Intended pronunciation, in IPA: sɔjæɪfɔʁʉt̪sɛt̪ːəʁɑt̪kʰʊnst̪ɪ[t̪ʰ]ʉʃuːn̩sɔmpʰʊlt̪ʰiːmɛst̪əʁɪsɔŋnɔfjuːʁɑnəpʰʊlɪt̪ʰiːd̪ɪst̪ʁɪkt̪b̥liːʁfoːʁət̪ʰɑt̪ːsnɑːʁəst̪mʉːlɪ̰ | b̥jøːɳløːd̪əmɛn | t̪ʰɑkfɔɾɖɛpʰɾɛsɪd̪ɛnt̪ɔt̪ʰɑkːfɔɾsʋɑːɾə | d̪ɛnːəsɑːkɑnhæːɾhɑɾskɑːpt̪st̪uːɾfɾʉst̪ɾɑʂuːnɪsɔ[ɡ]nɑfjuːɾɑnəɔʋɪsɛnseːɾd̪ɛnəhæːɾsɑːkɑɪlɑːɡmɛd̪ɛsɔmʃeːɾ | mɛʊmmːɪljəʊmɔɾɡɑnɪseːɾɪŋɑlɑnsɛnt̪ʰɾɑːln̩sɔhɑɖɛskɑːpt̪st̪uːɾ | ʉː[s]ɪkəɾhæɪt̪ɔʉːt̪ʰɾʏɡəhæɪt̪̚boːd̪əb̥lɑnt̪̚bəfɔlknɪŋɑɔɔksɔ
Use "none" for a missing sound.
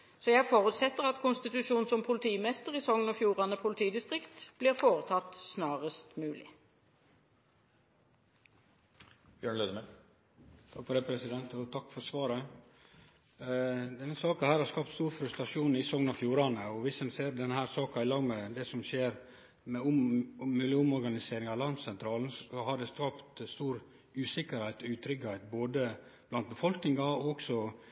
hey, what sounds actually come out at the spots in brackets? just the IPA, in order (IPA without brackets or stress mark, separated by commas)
t̪, ŋ, s